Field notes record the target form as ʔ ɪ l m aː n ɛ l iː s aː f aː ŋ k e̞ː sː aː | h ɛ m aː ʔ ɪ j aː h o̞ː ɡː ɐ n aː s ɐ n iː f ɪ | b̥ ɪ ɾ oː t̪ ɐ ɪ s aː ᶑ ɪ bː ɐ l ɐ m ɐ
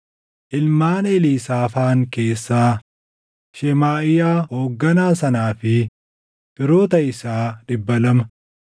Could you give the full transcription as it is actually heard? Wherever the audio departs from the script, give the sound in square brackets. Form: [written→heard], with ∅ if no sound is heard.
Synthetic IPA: ʔ ɪ l m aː n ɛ l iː s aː f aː ŋ k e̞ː sː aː | [h→ʃ] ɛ m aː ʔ ɪ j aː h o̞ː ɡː ɐ n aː s ɐ n [iː→aː] f ɪ | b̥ ɪ ɾ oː t̪ ɐ ɪ s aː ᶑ ɪ bː ɐ l ɐ m ɐ